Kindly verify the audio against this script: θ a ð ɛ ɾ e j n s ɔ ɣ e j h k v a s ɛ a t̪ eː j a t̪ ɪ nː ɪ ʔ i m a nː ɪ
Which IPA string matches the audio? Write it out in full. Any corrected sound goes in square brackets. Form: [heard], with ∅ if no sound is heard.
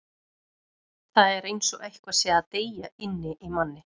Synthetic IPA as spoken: θ a ð ɛ ɾ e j n s ɔ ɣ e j h k v a s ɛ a t̪ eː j a [∅] ɪ nː ɪ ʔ i m a nː ɪ